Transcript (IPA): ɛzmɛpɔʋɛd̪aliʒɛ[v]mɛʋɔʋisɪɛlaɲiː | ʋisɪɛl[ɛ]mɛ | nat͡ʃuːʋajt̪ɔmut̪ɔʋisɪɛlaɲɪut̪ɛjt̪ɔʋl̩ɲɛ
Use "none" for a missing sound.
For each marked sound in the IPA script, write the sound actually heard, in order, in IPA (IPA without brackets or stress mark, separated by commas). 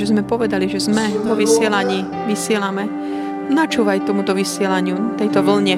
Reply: z, a